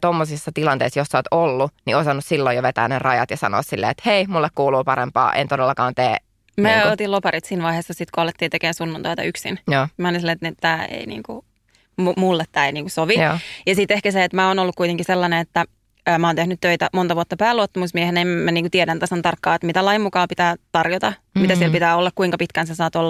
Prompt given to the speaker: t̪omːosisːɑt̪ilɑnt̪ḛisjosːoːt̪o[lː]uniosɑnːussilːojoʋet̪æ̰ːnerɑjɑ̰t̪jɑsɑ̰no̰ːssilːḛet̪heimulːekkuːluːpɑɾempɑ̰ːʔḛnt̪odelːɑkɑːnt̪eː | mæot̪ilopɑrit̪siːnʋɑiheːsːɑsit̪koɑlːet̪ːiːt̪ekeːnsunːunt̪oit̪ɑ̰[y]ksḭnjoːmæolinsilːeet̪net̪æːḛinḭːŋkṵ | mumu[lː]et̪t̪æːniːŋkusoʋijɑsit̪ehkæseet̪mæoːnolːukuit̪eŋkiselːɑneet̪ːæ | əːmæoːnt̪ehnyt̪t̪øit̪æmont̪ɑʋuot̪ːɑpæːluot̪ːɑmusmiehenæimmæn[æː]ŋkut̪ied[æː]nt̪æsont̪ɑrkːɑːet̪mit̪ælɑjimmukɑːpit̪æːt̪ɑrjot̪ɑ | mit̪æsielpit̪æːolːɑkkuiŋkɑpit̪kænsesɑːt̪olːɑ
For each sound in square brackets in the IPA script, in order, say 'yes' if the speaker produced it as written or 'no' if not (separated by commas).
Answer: yes, yes, yes, no, no